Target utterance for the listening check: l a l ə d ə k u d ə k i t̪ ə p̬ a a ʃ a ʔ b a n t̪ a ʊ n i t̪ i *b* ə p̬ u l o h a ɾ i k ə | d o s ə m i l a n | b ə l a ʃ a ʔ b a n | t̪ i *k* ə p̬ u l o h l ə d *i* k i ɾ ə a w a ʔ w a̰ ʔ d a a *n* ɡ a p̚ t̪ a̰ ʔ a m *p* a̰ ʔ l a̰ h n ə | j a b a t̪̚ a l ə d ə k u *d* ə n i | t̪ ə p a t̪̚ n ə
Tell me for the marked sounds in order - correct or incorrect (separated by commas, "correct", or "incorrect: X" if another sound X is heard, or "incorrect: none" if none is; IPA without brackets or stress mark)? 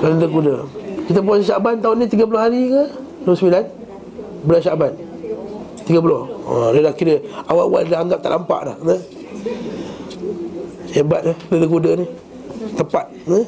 incorrect: ɡ, incorrect: ɡ, incorrect: a, incorrect: ŋ, correct, correct